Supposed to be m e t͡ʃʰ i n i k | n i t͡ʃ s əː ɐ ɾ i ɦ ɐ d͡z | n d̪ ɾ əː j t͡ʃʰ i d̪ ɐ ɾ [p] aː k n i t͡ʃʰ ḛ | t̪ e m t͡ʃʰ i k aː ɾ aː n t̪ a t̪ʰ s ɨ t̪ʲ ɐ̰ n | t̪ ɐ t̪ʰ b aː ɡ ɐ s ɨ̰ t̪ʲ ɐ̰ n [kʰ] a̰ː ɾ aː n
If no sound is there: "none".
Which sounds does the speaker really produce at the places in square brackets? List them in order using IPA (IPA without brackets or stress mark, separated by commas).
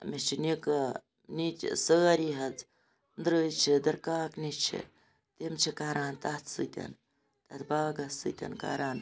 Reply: k, k